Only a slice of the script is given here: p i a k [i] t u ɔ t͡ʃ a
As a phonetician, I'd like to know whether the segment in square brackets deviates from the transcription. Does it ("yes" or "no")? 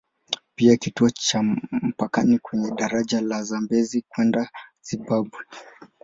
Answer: no